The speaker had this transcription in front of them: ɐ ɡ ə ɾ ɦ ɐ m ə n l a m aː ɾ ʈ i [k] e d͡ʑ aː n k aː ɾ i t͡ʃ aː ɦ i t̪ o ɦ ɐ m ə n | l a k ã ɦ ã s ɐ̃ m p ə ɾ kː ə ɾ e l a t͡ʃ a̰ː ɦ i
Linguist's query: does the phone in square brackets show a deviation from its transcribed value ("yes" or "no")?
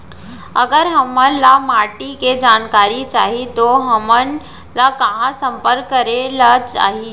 no